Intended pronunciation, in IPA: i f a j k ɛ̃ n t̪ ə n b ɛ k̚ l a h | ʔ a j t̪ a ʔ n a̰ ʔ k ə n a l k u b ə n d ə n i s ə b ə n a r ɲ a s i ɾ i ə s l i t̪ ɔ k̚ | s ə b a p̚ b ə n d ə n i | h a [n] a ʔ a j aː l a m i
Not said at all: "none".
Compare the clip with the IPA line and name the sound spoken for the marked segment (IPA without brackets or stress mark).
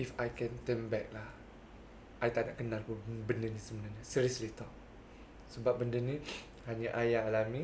ɲ